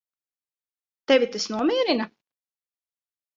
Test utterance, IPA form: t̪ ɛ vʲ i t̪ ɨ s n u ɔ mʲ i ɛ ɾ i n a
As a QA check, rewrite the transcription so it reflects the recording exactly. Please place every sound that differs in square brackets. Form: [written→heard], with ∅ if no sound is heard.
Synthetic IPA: t̪ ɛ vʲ i t̪ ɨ s n u ɔ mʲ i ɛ ɾ i n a